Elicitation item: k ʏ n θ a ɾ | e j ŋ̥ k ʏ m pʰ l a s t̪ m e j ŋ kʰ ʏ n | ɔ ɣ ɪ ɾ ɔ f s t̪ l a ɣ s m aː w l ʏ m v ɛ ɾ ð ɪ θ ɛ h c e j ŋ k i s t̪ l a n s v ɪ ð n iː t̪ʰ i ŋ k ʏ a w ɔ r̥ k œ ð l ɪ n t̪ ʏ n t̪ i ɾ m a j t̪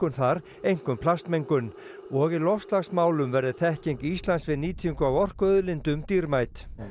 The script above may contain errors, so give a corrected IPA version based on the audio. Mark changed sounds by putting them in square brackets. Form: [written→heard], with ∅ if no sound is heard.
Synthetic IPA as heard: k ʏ n θ a ɾ | e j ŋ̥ k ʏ m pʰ l a s t̪ m e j ŋ [kʰ→k] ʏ n | ɔ ɣ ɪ [ɾ→l] ɔ f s t̪ l a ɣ s m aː w l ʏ m v ɛ ɾ ð ɪ θ ɛ h c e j ŋ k i s t̪ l a n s v ɪ ð n iː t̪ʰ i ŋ k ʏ a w ɔ r̥ k œ ð l ɪ n t̪ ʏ [n→m] t̪ i ɾ m a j t̪